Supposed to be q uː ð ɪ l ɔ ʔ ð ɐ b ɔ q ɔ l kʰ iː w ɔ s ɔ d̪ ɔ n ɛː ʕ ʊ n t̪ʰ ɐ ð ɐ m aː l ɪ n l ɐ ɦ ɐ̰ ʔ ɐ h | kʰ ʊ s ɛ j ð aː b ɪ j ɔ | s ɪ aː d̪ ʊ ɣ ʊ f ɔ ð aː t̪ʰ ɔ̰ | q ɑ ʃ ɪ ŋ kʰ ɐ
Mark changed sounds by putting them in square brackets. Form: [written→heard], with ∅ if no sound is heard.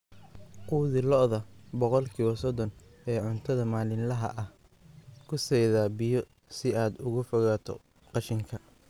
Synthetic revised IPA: q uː ð ɪ l ɔ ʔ ð ɐ b ɔ q ɔ l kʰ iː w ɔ s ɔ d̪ ɔ n ɛː ʕ ʊ n t̪ʰ ɐ ð ɐ m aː l ɪ n l ɐ ɦ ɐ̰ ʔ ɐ h | kʰ ʊ s ɛ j ð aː b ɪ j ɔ | s ɪ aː d̪ ʊ ɣ ʊ f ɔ [ð→ɣ] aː t̪ʰ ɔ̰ | q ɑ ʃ ɪ ŋ kʰ ɐ

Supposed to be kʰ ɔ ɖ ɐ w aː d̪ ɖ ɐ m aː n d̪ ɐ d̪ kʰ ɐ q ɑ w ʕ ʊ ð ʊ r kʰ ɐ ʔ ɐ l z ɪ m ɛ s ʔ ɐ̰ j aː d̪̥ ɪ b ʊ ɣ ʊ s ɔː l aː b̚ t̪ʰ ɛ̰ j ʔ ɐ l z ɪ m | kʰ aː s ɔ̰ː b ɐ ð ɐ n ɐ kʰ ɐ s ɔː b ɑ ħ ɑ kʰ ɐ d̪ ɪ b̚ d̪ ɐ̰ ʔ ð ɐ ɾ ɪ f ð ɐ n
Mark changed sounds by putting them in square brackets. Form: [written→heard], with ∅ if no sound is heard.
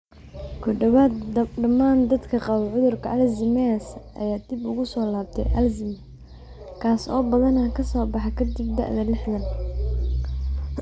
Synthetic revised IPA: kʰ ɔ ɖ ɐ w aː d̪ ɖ ɐ m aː n d̪ ɐ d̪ kʰ ɐ q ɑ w ʕ ʊ ð ʊ r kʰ ɐ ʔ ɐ l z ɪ m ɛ s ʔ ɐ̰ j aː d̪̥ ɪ b ʊ ɣ ʊ s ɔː l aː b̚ t̪ʰ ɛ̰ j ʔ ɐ l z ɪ m | kʰ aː s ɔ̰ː b ɐ ð ɐ n ɐ kʰ ɐ s ɔː b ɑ ħ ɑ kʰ ɐ d̪ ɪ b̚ d̪ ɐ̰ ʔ ð ɐ [ɾ→l] ɪ [f→ħ] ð ɐ n

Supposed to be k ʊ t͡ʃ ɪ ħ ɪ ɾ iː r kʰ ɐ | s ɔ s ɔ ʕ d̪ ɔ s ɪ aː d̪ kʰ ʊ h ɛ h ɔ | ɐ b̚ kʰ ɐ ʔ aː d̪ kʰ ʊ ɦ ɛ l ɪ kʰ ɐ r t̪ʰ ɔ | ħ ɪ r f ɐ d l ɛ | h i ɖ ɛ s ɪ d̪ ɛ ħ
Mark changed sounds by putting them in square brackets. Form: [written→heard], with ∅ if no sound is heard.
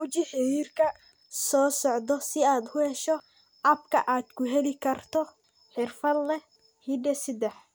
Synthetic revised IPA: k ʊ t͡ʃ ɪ ħ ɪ ɾ iː r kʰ ɐ | s [ɔ→ɔː] s ɔ ʕ d̪ ɔ s ɪ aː d̪ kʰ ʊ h ɛ [h→ʃ] ɔ | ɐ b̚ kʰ ɐ ʔ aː d̪ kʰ ʊ ɦ ɛ l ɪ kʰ ɐ r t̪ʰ ɔ | ħ ɪ r f ɐ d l ɛ | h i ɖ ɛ s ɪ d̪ ɛ ħ

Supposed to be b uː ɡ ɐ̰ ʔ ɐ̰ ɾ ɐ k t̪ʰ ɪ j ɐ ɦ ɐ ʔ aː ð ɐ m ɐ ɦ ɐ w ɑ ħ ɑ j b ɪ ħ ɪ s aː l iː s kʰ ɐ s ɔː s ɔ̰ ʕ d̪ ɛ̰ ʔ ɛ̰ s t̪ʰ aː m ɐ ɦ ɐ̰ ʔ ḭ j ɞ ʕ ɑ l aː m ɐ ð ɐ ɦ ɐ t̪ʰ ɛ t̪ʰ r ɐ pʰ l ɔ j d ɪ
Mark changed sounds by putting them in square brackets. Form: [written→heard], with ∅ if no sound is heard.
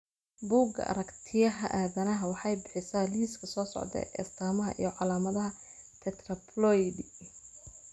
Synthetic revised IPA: b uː ɡ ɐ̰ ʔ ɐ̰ ɾ ɐ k t̪ʰ ɪ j ɐ ɦ ɐ ʔ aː ð ɐ [m→n] ɐ ɦ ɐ w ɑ ħ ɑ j b ɪ ħ ɪ s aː l iː s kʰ ɐ s ɔː s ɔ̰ ʕ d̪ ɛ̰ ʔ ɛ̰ s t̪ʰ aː m ɐ ɦ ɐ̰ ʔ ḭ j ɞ ʕ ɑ l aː m ɐ ð ɐ ɦ ɐ t̪ʰ ɛ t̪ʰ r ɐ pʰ l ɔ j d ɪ

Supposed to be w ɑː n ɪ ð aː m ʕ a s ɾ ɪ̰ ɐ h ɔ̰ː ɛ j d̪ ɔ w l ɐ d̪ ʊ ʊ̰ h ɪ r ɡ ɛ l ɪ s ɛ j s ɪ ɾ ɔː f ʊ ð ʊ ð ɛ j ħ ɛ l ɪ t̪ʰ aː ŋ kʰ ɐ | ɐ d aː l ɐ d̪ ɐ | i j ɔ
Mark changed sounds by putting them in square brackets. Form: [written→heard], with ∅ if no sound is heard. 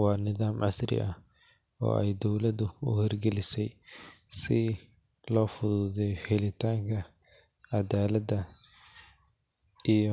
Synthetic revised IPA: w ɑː n ɪ ð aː m ʕ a s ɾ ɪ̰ ɐ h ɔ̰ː ɛ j d̪ ɔ w l ɐ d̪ ʊ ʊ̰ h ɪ r ɡ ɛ l ɪ s ɛ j s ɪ [ɾ→l] ɔː f ʊ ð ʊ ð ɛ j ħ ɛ l ɪ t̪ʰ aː ŋ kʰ ɐ | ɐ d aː l ɐ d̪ ɐ | i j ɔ

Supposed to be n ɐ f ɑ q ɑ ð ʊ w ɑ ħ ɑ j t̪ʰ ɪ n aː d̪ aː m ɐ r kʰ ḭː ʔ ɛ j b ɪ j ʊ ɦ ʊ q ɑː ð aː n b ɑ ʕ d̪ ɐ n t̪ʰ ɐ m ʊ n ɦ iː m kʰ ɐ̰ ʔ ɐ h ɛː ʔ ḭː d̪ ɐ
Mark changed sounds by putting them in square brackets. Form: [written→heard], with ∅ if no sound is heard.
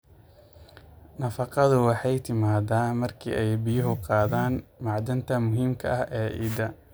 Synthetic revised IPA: n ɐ f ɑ q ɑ ð ʊ w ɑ ħ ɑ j t̪ʰ ɪ [n→m] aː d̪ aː m ɐ r kʰ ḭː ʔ ɛ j b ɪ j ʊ ɦ ʊ q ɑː ð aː n [b→m] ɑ ʕ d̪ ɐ n t̪ʰ ɐ m ʊ [n→∅] ɦ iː m kʰ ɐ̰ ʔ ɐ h ɛː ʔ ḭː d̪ ɐ

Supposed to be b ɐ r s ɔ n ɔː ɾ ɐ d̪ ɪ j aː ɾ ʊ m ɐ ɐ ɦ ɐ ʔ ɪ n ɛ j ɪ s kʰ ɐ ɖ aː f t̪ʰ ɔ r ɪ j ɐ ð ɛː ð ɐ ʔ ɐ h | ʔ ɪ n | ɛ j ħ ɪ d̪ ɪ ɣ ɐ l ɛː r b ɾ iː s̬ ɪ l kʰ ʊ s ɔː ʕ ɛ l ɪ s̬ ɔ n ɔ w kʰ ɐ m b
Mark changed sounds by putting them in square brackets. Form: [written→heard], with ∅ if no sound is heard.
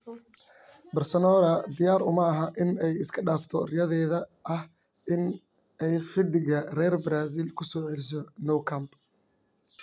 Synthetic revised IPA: b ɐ r s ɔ n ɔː ɾ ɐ d̪ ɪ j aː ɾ ʊ m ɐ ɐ ɦ ɐ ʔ ɪ n ɛ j ɪ s kʰ ɐ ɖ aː f t̪ʰ ɔ r ɪ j ɐ ð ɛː ð ɐ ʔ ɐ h | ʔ ɪ n | ɛ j ħ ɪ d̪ ɪ ɣ ɐ [l→r] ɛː r b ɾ [iː→aː] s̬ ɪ l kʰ ʊ s ɔː ʕ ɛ l ɪ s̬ ɔ n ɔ w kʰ ɐ m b

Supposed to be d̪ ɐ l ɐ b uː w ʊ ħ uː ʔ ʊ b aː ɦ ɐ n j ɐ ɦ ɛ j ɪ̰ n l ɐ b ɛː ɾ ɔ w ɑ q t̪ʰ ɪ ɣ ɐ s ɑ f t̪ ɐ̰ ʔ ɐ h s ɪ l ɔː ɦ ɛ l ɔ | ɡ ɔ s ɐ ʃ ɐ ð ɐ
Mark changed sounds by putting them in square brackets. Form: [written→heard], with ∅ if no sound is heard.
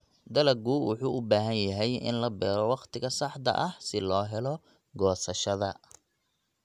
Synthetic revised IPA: d̪ ɐ l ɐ [b→ɡ] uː w ʊ ħ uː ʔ ʊ b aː ɦ ɐ n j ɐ ɦ ɛ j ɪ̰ n l ɐ b ɛː ɾ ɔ w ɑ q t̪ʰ ɪ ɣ ɐ s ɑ [f→ħ] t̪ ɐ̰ ʔ ɐ h s ɪ l ɔː ɦ ɛ l ɔ | ɡ [ɔ→ɔː] s ɐ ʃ ɐ ð ɐ

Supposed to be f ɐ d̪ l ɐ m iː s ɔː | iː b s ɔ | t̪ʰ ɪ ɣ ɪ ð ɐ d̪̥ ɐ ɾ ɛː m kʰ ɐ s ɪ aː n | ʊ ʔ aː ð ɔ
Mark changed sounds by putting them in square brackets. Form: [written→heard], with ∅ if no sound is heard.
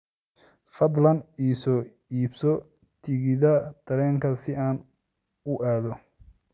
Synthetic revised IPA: f ɐ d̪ l ɐ [m→n] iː s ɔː | iː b s ɔ | t̪ʰ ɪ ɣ ɪ ð ɐ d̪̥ ɐ ɾ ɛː [m→ŋ] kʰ ɐ s ɪ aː n | ʊ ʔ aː ð ɔ

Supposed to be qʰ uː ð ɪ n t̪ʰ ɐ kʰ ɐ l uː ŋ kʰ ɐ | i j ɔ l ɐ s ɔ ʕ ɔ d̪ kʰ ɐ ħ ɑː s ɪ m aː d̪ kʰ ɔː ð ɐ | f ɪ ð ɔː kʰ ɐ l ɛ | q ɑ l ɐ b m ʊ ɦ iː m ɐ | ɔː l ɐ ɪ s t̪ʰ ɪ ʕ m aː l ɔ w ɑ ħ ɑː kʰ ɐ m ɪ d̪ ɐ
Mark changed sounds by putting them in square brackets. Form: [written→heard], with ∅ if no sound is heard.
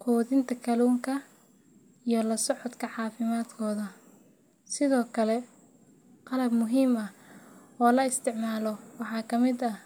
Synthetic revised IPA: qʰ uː ð ɪ n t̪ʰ ɐ kʰ ɐ l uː ŋ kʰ ɐ | i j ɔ l ɐ s ɔ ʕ ɔ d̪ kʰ ɐ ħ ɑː [s→f] ɪ m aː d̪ kʰ ɔː ð ɐ | [f→s] ɪ ð ɔː kʰ ɐ l ɛ | q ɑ l ɐ b m ʊ ɦ iː m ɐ | ɔː l ɐ ɪ s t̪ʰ ɪ ʕ m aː l ɔ w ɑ ħ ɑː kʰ ɐ m ɪ d̪ ɐ

